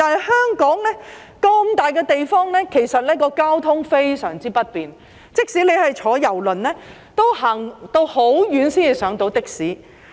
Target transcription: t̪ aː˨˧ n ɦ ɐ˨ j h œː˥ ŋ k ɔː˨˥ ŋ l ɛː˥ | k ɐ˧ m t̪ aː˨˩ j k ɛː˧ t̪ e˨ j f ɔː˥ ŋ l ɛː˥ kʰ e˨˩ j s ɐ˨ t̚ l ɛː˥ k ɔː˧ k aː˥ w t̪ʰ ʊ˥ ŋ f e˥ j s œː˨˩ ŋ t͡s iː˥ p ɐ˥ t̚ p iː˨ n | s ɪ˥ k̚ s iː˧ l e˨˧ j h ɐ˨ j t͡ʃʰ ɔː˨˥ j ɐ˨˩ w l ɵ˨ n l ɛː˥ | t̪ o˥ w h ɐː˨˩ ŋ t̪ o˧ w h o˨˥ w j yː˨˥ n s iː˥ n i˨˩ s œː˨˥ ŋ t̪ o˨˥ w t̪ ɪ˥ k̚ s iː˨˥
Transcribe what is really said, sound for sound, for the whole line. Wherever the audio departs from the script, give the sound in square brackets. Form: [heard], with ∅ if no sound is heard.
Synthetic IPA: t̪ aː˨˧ n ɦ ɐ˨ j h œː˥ ŋ k ɔː˨˥ ŋ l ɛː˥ | k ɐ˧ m t̪ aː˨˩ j k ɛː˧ t̪ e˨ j f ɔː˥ ŋ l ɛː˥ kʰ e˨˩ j s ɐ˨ t̚ l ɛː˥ k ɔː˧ k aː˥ w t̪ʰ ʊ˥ ŋ f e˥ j s œː˨˩ ŋ t͡s iː˥ p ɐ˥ t̚ p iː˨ n | [t͡s] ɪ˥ k̚ s [iː˨˥] l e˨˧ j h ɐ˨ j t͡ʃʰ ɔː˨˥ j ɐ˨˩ w l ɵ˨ n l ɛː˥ | t̪ o˥ w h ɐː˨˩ ŋ t̪ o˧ w h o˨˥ w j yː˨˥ n s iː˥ n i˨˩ s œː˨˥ ŋ t̪ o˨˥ w t̪ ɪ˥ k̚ s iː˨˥